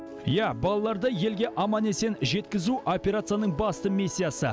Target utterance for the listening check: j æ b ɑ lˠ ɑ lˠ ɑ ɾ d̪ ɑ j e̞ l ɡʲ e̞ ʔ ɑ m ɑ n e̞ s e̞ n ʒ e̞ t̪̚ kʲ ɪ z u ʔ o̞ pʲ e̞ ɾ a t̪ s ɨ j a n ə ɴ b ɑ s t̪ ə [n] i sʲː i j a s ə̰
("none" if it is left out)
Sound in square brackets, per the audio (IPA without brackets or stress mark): m